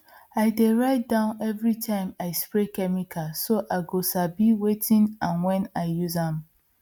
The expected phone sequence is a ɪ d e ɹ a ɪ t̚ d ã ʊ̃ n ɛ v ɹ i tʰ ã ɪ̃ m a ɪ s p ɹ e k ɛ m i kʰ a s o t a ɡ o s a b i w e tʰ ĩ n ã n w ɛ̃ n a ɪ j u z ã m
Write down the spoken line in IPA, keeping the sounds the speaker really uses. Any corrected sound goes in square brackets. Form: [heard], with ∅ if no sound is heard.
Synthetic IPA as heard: a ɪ d e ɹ a ɪ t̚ d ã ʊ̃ n ɛ v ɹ i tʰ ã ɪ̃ m a ɪ s p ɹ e k ɛ m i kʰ a s o [ʔ] a ɡ o s a b i w e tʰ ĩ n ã n w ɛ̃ n a ɪ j u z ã m